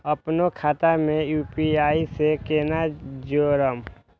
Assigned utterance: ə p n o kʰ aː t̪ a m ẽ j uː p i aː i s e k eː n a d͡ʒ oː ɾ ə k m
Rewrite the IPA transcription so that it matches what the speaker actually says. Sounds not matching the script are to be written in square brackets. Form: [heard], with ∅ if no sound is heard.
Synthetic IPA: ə p n o kʰ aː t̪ a m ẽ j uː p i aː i s e k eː n a d͡ʒ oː ɾ ə [∅] m